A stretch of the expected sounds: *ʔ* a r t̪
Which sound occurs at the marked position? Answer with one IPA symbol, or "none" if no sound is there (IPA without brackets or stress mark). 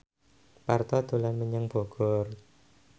p